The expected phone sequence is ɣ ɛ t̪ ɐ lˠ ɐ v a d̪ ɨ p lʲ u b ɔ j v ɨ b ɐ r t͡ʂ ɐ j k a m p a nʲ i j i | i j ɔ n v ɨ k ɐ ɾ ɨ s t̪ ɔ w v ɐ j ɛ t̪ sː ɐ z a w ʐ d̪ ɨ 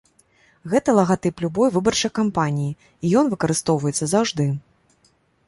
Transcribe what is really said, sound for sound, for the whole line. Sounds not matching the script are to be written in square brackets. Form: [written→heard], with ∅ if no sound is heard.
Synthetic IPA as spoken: ɣ ɛ t̪ ɐ lˠ ɐ [v→ɣ] a [d̪→t̪] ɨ p lʲ u b ɔ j v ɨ b ɐ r t͡ʂ ɐ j k a m p a nʲ i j i | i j ɔ n v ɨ k ɐ ɾ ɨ s t̪ ɔ w v ɐ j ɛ t̪ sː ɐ z a w ʐ d̪ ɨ